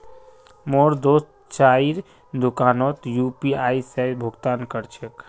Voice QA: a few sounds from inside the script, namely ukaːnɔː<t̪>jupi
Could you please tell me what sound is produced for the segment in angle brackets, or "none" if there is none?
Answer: t̪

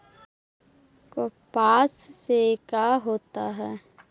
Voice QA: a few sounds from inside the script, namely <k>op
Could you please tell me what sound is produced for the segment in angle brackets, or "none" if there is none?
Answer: k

